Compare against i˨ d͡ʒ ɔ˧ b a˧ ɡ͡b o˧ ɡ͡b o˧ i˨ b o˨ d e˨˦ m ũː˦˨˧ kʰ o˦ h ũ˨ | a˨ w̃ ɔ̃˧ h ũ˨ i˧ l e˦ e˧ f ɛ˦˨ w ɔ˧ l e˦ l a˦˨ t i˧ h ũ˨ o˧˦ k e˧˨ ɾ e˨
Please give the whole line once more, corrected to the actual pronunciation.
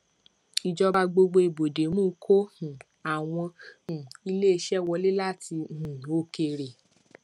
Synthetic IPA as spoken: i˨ d͡ʒ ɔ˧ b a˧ ɡ͡b o˧ ɡ͡b o˧ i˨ b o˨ d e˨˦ m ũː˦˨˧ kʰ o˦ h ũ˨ | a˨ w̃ ɔ̃˧ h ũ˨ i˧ l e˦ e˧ ʃ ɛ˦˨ w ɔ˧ l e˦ l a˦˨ t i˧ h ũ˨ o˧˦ k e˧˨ ɾ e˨

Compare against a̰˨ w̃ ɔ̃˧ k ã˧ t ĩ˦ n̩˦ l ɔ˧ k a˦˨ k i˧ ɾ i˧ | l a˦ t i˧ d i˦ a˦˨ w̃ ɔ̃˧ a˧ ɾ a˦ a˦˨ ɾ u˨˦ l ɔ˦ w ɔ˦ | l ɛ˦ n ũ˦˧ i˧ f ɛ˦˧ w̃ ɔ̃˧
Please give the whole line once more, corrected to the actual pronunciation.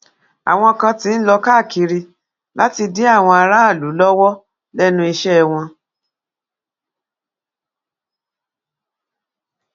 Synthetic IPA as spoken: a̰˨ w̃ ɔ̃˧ k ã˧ t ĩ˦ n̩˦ l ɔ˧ k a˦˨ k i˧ ɾ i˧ | l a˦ t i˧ d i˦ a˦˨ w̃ ɔ̃˧ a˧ ɾ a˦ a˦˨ l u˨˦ l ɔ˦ w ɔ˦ | l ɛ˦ n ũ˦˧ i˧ ʃ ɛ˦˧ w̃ ɔ̃˧

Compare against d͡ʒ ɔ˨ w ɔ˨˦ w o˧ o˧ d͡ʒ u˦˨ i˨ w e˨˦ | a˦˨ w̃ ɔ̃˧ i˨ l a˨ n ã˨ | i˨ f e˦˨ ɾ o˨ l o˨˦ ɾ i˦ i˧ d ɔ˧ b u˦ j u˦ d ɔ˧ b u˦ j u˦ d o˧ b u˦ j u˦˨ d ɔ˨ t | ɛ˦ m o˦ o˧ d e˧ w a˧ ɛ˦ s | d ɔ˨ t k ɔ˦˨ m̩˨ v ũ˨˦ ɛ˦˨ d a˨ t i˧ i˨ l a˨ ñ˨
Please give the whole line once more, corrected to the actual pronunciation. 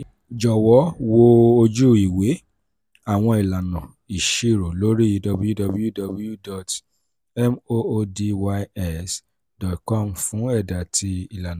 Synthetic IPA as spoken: d͡ʒ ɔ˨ w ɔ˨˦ w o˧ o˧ d͡ʒ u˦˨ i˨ w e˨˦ | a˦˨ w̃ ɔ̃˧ i˨ l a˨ n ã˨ | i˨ ʃ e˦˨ ɾ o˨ l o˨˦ ɾ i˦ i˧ d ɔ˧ b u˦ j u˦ d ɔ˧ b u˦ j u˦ d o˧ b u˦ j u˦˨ d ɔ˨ t | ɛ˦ m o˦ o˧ d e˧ w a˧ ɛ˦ s | d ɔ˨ t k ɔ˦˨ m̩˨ f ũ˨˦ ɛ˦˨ d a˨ t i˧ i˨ l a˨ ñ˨

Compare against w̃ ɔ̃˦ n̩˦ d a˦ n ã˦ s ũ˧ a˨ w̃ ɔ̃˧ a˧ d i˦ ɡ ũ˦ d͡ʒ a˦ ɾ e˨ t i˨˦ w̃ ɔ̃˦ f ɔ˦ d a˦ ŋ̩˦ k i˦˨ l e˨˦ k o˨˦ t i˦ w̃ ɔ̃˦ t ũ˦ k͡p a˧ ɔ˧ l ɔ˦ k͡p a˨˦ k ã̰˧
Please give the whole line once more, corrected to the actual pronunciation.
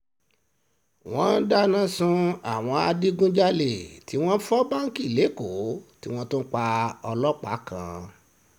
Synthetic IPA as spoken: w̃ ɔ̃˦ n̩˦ d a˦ n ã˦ s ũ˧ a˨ w̃ ɔ̃˧ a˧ d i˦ ɡ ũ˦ d͡ʒ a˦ l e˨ t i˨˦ w̃ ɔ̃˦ f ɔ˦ b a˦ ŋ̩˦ k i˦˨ l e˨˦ k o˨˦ t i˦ w̃ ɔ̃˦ t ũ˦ k͡p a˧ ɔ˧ l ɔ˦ k͡p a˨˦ k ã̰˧

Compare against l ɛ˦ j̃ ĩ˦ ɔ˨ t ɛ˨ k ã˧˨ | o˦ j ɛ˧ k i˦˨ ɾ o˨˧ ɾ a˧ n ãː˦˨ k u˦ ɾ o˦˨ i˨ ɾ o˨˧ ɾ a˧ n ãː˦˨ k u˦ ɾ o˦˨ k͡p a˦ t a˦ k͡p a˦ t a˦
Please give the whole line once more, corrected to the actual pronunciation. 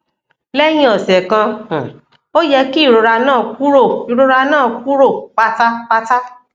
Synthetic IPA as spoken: l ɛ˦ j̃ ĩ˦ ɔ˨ s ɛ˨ k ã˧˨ | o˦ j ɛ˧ k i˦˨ ɾ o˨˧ ɾ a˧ n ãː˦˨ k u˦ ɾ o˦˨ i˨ ɾ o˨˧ ɾ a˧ n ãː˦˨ k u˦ ɾ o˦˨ k͡p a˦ t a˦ k͡p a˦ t a˦

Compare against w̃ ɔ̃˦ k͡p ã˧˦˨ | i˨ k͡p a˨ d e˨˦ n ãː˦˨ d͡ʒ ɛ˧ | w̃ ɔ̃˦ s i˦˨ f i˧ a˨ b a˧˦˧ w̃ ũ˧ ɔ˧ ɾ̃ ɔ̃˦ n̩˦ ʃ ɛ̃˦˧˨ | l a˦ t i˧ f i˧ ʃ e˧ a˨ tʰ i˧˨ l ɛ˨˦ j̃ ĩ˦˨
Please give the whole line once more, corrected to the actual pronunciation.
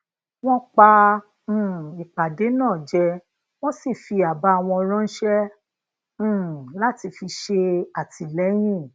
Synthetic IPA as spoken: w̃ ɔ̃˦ k͡p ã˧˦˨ | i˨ k͡p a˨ d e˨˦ n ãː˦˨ d͡ʒ ɛ˧ | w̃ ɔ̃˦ s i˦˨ f i˧ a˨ b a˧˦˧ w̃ ɔ̃˧ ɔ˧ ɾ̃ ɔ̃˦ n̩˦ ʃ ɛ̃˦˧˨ | l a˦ t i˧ f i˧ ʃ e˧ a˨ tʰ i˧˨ l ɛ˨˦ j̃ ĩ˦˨

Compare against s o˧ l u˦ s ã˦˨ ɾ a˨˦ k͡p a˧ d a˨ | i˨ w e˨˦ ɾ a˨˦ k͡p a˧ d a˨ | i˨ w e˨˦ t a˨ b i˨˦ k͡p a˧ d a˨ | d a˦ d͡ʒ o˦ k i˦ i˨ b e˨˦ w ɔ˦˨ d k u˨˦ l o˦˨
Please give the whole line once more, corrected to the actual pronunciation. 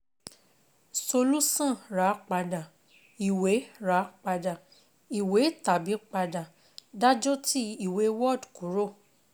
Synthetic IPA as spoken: s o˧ l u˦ s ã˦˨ ɾ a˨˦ k͡p a˧ d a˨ | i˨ w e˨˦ ɾ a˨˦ k͡p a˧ d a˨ | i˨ w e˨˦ t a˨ b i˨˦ k͡p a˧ d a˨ | d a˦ d͡ʒ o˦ t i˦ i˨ w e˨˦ w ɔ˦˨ d k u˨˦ ɾ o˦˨

